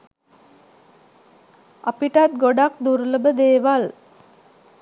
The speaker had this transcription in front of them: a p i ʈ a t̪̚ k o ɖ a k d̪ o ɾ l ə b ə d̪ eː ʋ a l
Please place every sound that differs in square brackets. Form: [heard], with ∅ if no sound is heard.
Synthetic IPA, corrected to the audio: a p i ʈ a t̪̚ [ɡ] o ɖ a k d̪ [u] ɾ l ə b ə d̪ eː ʋ a l